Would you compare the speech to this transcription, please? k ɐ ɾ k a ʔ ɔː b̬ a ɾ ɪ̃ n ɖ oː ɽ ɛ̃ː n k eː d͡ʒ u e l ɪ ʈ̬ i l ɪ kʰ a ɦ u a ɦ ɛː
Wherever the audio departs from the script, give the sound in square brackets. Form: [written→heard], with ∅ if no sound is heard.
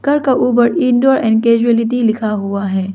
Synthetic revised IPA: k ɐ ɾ k a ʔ [ɔː→uː] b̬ [a→ə] ɾ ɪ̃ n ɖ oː [ɽ→ɾ] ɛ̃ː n k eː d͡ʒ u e l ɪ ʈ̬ i l ɪ kʰ a ɦ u a ɦ ɛː